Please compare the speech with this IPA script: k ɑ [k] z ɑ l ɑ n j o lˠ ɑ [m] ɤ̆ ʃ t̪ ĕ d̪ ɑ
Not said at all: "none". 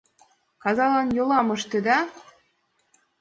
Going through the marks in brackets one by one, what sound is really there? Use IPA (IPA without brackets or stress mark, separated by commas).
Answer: none, m